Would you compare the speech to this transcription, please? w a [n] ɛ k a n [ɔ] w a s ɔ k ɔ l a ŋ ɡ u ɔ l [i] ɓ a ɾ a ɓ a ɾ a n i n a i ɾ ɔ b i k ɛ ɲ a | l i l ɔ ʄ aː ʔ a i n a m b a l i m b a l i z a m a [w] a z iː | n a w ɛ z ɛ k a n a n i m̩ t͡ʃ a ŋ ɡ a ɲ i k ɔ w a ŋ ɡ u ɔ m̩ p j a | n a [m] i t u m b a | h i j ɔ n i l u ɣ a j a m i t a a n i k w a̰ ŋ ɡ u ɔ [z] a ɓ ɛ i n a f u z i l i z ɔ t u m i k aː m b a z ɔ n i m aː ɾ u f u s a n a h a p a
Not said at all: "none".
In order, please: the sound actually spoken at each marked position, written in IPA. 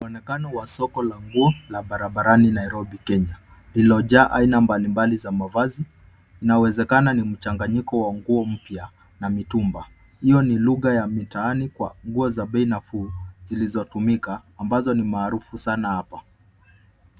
n, ɔ, a, v, m, z

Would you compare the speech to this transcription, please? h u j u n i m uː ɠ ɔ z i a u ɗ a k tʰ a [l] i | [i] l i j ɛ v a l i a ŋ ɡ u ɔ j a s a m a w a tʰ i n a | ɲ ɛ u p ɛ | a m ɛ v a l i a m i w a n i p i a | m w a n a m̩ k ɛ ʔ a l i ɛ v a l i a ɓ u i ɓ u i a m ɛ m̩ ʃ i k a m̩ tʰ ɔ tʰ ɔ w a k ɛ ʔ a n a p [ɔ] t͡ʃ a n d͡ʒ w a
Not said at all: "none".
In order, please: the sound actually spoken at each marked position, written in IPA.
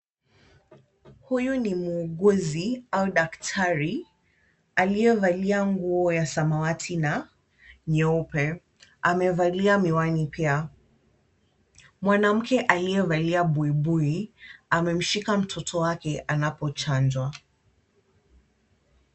ɾ, a, ɔ

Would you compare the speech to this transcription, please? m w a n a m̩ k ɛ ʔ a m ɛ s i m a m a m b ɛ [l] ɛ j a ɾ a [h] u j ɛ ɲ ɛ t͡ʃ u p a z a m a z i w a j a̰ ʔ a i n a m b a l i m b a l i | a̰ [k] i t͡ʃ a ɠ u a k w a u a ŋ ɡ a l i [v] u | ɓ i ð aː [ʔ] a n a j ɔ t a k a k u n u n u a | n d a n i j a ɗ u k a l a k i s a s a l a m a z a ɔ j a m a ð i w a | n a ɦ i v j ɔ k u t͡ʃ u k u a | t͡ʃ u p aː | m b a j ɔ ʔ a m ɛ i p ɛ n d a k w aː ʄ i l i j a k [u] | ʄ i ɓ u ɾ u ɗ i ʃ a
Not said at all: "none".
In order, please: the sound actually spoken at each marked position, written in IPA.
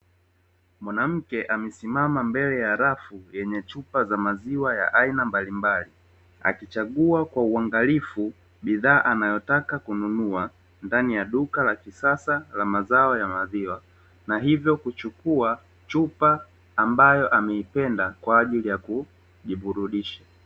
l, f, k, f, ʔ, u

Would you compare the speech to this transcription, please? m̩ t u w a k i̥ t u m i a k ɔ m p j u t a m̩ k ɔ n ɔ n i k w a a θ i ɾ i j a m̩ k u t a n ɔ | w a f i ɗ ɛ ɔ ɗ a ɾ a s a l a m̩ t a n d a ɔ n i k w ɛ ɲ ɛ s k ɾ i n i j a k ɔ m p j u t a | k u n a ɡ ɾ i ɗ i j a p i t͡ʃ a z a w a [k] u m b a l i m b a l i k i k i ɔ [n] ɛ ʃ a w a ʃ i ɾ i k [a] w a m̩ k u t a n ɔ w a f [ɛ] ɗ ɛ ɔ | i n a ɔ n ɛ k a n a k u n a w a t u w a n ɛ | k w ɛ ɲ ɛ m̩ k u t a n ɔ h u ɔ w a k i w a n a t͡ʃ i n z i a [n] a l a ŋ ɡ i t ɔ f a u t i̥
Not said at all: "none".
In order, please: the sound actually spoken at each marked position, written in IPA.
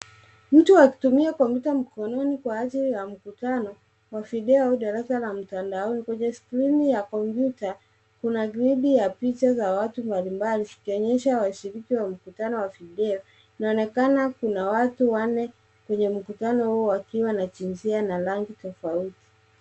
t, ɲ, i, i, n

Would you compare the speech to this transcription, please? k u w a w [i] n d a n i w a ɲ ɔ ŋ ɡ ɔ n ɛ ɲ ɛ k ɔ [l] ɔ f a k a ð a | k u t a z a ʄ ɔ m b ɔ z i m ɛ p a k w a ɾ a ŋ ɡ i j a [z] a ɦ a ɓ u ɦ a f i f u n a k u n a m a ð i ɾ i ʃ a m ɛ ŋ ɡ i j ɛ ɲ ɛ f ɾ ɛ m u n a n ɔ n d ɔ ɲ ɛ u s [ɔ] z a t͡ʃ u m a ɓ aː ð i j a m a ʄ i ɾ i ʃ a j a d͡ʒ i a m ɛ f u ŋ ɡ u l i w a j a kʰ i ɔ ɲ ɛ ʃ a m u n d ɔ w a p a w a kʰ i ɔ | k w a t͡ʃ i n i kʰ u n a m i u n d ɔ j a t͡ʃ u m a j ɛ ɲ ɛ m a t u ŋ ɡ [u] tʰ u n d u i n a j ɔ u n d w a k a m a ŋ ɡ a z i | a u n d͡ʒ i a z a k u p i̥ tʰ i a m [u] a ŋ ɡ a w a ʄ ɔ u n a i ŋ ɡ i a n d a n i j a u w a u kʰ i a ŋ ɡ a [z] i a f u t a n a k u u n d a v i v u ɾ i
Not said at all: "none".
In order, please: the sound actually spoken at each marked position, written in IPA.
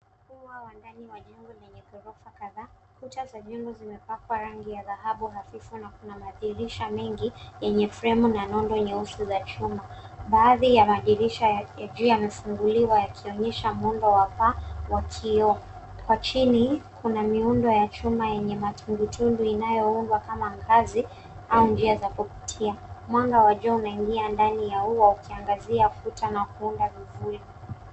a, ɾ, ð, u, u, w, z

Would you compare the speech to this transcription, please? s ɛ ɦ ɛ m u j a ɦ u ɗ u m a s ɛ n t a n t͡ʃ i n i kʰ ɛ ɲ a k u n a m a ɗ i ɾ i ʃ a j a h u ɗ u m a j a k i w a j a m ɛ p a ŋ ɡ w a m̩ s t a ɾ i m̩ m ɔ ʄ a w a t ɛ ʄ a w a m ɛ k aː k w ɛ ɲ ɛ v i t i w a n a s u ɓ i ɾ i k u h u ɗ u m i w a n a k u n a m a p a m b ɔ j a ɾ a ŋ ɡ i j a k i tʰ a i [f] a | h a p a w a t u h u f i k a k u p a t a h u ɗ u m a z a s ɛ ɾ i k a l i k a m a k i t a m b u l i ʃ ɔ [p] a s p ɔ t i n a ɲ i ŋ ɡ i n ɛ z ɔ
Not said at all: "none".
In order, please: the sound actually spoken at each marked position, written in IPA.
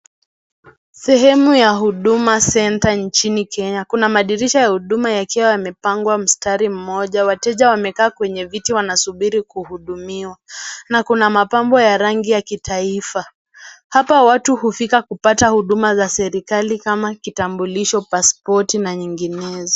f, p

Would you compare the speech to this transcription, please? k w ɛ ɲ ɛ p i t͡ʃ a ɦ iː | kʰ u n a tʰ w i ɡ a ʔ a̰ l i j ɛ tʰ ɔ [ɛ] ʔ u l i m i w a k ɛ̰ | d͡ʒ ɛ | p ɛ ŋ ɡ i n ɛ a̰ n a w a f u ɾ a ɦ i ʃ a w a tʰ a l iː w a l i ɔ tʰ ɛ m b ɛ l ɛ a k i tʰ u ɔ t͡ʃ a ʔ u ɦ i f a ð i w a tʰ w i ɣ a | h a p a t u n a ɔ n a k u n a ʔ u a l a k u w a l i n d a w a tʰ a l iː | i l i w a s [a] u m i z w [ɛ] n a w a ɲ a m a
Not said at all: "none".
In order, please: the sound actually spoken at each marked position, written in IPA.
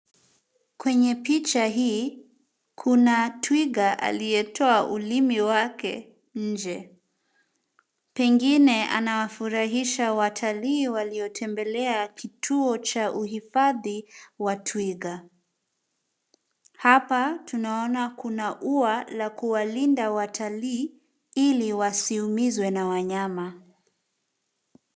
a, i, ɛ

